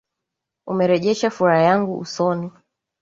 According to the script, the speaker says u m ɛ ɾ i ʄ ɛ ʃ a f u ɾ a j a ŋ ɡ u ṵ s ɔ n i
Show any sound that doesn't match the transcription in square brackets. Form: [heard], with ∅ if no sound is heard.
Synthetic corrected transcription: u m ɛ ɾ [ɛ] ʄ ɛ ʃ a f u ɾ a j a ŋ ɡ u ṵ s ɔ n i

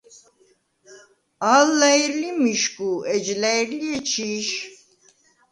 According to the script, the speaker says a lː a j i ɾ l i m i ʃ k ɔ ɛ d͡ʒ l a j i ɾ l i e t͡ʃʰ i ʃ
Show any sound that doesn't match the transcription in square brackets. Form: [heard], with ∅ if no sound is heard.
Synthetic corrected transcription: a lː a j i ɾ l i m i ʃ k [u] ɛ d͡ʒ l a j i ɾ l i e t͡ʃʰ i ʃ

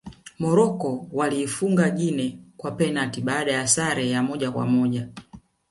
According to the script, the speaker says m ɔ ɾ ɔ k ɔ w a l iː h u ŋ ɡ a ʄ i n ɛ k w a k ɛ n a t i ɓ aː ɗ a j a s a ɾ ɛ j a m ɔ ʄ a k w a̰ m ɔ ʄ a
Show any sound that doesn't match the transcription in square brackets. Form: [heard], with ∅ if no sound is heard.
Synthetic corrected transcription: m ɔ ɾ ɔ k ɔ w a l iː [f] u ŋ ɡ a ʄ i n ɛ k w a [p] ɛ n a t i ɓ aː ɗ a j a s a ɾ ɛ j a m ɔ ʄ a k w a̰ m ɔ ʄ a

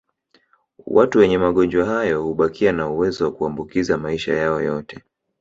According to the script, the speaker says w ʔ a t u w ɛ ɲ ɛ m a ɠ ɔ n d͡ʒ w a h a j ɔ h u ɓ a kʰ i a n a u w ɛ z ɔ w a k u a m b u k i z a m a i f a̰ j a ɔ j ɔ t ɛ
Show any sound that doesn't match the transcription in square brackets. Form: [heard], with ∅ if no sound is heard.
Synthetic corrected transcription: w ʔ a t u w ɛ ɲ ɛ m a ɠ ɔ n d͡ʒ w a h a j ɔ h u ɓ a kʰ i a n a u w ɛ z ɔ w a k u a m b u k i z a m a i [ʃ] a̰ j a ɔ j ɔ t ɛ

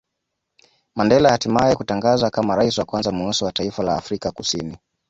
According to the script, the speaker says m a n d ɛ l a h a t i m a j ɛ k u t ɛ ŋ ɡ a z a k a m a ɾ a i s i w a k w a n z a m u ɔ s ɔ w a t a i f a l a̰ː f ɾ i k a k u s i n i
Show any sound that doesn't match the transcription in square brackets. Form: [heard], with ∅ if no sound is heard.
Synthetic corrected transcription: m a n d ɛ l a h a t i m a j ɛ k u t [a] ŋ ɡ a z a k a m a ɾ a i s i w a k w a n z a m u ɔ s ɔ w a t a i f a l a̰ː f ɾ i k a k u s i n i

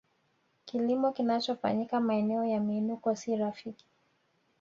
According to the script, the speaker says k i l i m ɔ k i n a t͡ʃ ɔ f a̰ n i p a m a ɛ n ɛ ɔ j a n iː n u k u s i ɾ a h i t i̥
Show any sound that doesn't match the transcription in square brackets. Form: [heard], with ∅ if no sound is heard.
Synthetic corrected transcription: k i l i m ɔ k i n a t͡ʃ ɔ f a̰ [ɲ] i [k] a m a ɛ n ɛ ɔ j a [m] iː n u k [ɔ] s i ɾ a [f] i [k] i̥

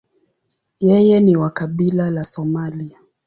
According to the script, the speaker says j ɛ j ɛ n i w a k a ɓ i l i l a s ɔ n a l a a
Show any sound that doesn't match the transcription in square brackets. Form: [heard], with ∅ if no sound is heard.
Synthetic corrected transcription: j ɛ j ɛ n i w a k a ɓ i l [a] l a s ɔ [m] a l [i] a

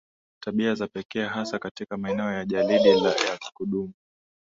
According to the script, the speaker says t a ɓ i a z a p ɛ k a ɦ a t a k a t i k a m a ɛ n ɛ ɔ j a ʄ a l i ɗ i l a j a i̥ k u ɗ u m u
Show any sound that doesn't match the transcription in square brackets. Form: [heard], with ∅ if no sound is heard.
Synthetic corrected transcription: t a ɓ i a z a p ɛ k [ɛ] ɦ a [s] a k a t i k a m a ɛ n ɛ ɔ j a ʄ a l i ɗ i l a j a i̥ k u ɗ u m u

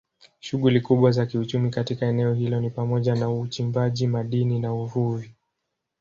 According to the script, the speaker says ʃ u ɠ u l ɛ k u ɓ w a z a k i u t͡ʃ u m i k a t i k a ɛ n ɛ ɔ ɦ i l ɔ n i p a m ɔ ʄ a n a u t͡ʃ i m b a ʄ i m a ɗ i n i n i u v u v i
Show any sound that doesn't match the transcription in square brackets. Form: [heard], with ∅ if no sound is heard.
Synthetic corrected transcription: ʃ u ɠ u l [i] k u ɓ w a z a k i u t͡ʃ u m i k a t i k a ɛ n ɛ ɔ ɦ i l ɔ n i p a m ɔ ʄ a n a u t͡ʃ i m b a ʄ i m a ɗ i n i n [a] u v u v i

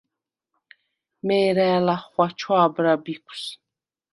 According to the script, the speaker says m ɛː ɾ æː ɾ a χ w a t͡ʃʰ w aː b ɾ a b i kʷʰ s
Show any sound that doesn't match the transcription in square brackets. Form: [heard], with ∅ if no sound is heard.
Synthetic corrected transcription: m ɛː ɾ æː [l] a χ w a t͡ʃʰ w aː b ɾ a b i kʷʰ s

